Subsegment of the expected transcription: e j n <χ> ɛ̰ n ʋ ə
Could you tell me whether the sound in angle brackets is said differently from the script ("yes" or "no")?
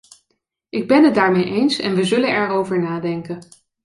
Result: yes